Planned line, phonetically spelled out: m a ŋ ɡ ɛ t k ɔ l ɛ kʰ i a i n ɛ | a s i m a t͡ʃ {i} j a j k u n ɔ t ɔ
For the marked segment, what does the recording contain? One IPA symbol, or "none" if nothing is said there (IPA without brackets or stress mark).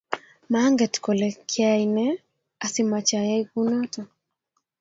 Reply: a